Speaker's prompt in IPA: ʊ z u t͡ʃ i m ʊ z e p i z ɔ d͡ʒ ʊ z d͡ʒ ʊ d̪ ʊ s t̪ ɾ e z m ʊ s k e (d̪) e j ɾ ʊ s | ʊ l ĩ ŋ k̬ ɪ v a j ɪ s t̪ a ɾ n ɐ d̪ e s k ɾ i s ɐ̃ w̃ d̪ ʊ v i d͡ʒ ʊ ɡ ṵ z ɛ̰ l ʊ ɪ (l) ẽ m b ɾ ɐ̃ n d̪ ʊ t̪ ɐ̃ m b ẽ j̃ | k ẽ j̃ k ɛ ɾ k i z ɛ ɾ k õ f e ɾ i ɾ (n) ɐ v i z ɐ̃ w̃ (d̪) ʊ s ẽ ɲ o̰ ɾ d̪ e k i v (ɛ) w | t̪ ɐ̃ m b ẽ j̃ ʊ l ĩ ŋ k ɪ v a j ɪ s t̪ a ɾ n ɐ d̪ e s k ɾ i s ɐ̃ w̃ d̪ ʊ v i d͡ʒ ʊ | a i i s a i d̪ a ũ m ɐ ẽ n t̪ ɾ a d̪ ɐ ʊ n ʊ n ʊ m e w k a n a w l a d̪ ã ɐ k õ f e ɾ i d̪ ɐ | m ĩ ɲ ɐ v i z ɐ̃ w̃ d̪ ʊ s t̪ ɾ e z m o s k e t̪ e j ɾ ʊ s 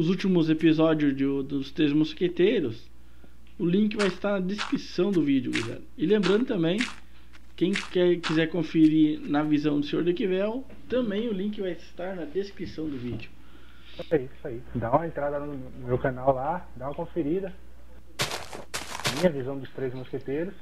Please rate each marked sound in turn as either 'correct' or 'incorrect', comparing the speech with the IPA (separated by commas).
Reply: incorrect, correct, correct, correct, correct